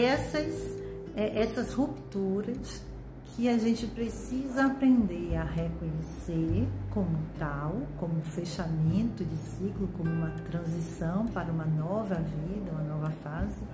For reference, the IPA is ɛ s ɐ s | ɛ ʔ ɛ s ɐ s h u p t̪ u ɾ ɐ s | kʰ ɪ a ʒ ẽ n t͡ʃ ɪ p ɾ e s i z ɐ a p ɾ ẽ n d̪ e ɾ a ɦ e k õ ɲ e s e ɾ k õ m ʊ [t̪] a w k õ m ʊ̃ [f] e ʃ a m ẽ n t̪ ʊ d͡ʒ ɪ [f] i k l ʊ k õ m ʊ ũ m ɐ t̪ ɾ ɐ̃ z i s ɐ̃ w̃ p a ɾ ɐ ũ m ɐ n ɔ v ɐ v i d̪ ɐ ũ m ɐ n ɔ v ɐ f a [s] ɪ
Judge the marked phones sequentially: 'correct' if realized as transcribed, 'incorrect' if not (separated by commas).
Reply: correct, correct, incorrect, incorrect